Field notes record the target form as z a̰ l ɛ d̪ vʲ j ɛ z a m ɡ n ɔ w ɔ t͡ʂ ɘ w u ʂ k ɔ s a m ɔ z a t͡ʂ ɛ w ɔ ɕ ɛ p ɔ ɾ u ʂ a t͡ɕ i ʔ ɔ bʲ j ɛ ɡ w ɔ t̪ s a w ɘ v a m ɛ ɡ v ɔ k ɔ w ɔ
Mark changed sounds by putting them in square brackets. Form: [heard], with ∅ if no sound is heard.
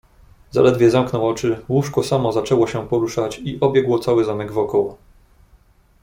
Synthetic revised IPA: z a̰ l ɛ d̪ vʲ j ɛ z a m [k] n ɔ w ɔ t͡ʂ ɘ w u ʂ k ɔ s a m ɔ z a t͡ʂ ɛ w ɔ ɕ ɛ p ɔ ɾ u ʂ a t͡ɕ i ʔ ɔ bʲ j ɛ ɡ w ɔ t̪ s a w ɘ [z] a m ɛ ɡ v ɔ k ɔ w ɔ